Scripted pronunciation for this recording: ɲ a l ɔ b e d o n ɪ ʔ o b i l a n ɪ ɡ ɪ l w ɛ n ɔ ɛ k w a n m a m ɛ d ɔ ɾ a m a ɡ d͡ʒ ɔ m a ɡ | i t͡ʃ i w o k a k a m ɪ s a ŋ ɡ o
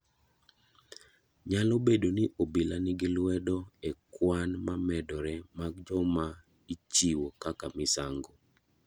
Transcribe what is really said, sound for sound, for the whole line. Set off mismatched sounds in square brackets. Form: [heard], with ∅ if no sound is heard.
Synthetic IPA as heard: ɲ a l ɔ b e d o n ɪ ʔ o b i l a n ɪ ɡ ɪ l w ɛ [d] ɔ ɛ k w a n m a m ɛ d ɔ ɾ [ɛ] m a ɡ d͡ʒ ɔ m a [∅] | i t͡ʃ i w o k a k a m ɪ s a ŋ ɡ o